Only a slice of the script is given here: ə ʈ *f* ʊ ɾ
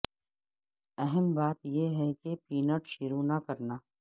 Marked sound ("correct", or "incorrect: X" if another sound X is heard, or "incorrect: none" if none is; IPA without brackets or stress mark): incorrect: ʃ